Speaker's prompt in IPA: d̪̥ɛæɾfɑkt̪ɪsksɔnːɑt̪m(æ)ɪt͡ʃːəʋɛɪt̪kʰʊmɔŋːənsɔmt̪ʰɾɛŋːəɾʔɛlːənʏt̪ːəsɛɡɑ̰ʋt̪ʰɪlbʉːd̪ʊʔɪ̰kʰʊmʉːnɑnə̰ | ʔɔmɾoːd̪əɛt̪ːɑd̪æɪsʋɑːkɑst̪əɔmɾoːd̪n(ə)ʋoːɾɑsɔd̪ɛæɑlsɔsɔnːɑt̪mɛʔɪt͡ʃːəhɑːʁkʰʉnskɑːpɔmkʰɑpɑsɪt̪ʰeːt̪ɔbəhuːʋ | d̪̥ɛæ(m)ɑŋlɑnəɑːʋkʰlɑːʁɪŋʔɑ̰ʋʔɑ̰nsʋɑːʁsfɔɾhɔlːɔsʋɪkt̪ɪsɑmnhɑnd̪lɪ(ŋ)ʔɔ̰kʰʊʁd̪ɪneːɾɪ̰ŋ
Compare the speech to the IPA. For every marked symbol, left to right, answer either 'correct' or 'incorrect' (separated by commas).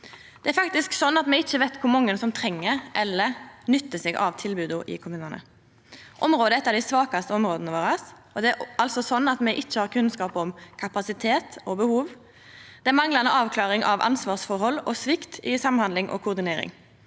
incorrect, correct, correct, correct